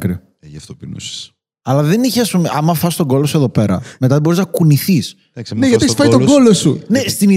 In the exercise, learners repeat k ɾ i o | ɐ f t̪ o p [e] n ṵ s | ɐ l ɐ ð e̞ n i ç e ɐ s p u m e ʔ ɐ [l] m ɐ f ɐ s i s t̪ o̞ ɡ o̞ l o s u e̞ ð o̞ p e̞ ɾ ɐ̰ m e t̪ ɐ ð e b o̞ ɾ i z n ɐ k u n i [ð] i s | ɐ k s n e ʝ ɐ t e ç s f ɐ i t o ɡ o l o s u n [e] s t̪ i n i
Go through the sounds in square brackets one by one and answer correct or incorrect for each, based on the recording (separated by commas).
incorrect, incorrect, incorrect, correct